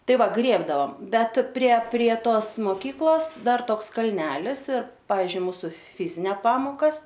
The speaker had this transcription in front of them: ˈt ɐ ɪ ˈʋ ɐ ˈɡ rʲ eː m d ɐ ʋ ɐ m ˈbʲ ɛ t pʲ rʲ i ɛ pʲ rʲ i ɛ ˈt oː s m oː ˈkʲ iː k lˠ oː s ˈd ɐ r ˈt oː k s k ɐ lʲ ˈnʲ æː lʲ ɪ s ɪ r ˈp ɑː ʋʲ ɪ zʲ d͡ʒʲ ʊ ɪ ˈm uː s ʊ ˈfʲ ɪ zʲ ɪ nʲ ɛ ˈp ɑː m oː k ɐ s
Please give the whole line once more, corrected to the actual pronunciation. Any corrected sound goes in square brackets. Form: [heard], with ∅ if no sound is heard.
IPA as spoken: ˈt ɐ ɪ ˈʋ ɐ ˈɡ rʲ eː [b] d ɐ ʋ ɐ m ˈbʲ ɛ t pʲ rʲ i ɛ pʲ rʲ i ɛ ˈt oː s m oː ˈkʲ iː k lˠ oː s ˈd ɐ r ˈt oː k s k ɐ lʲ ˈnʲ æː lʲ ɪ s ɪ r ˈp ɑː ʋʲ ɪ zʲ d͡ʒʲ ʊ ɪ ˈm uː s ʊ ˈfʲ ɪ zʲ ɪ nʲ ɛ ˈp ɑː m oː k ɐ s